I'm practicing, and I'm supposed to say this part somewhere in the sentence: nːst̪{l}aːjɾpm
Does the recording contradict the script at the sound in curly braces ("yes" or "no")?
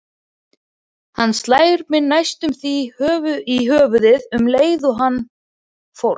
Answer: no